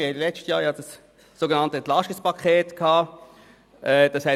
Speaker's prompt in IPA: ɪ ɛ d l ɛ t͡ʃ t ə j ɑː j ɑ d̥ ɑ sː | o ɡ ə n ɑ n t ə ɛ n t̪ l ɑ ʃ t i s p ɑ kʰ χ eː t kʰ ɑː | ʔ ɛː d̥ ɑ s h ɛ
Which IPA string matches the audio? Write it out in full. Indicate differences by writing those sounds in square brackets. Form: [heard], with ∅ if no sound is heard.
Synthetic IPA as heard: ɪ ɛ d l ɛ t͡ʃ t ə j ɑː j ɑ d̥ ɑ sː | o ɡ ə n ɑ n t ə ɛ n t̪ l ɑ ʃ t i s p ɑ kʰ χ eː t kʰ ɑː | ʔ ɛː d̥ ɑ s h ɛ